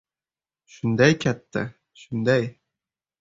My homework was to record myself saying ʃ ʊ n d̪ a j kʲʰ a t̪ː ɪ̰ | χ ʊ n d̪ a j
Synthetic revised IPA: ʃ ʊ n d̪ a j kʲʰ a t̪ː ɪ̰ | ʃ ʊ n d̪ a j